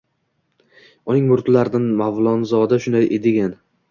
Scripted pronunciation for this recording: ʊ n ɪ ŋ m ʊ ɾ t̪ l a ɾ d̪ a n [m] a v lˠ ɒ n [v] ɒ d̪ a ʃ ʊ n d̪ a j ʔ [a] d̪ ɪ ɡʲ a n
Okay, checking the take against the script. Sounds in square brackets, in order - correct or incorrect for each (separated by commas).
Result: correct, incorrect, incorrect